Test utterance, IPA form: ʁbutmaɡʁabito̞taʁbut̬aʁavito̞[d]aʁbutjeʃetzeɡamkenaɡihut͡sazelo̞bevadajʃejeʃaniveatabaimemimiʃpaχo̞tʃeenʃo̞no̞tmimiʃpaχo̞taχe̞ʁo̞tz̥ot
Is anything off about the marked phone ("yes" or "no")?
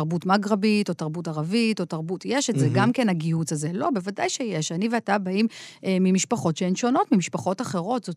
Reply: yes